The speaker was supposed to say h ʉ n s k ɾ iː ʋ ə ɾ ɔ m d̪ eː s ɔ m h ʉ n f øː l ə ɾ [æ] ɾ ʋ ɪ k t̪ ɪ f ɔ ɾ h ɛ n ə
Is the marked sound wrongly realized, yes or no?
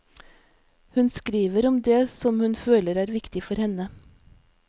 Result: yes